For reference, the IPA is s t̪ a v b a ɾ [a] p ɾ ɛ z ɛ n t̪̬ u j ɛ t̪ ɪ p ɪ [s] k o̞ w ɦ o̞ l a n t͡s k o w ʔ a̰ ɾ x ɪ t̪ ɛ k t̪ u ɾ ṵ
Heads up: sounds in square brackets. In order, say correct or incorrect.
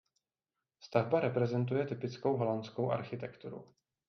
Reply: incorrect: ɛ, incorrect: t͡s

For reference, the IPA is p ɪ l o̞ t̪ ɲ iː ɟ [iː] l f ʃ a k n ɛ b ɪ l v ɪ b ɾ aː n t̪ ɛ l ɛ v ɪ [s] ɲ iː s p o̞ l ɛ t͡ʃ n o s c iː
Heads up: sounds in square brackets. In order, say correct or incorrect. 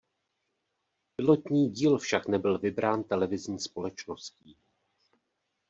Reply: correct, incorrect: z

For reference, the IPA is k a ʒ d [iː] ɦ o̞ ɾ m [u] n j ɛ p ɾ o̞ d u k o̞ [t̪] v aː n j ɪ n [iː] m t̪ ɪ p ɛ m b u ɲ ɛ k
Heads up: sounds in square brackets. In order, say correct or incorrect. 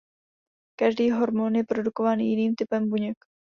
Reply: correct, incorrect: o, incorrect: none, correct

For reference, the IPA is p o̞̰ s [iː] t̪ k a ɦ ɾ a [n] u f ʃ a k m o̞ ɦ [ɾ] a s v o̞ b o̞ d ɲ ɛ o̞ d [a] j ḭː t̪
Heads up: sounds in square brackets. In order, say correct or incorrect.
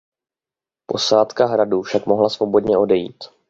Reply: incorrect: aː, incorrect: d, incorrect: l, incorrect: ɛ

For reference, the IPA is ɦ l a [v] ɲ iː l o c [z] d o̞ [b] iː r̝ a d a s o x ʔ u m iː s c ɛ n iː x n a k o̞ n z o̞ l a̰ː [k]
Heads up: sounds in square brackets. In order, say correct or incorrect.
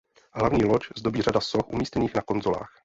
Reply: correct, correct, correct, incorrect: x

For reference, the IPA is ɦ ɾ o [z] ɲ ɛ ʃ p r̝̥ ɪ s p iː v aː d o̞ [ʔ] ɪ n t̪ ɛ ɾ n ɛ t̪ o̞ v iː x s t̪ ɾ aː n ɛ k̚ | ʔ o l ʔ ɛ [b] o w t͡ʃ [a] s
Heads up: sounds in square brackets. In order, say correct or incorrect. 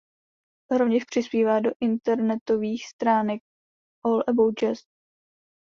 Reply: incorrect: v, correct, correct, incorrect: ɛ

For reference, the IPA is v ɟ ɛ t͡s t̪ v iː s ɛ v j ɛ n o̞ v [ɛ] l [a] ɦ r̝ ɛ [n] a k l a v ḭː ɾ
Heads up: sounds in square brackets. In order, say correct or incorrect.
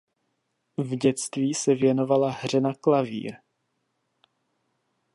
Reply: incorrect: a, correct, correct

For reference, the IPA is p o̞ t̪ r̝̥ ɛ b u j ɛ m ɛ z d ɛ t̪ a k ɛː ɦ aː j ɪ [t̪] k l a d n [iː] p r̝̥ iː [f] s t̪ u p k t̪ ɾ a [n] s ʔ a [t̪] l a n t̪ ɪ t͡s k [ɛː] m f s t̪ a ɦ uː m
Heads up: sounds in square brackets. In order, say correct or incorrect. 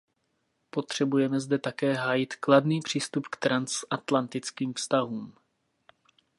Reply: correct, correct, incorrect: none, correct, correct, incorrect: iː

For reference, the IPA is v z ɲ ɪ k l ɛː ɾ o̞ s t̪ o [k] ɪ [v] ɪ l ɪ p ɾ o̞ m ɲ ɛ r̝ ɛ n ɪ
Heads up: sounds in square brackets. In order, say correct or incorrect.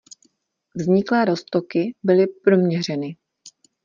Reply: correct, incorrect: b

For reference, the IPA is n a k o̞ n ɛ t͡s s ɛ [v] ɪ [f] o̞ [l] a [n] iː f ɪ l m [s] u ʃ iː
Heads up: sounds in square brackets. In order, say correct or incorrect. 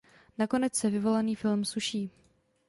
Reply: correct, incorrect: v, correct, correct, correct

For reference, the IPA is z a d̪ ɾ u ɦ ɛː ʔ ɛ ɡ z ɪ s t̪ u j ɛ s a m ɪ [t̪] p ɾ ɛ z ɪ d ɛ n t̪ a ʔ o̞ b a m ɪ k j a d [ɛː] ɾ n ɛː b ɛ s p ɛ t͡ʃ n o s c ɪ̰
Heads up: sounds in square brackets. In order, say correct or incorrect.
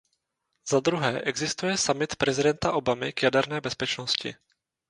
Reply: correct, incorrect: ɛ

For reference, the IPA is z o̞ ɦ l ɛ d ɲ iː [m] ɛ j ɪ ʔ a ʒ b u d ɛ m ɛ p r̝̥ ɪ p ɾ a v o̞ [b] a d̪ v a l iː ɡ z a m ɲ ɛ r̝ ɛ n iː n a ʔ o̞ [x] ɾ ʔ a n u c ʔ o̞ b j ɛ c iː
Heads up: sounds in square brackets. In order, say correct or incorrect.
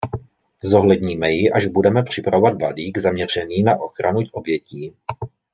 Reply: correct, incorrect: v, correct

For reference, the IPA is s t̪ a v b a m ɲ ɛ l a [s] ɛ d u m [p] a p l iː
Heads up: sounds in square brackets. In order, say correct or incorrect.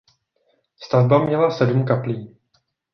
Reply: correct, incorrect: k

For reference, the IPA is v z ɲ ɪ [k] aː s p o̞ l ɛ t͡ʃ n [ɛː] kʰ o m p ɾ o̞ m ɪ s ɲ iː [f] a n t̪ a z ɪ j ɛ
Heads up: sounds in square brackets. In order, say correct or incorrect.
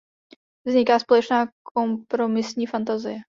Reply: correct, incorrect: aː, correct

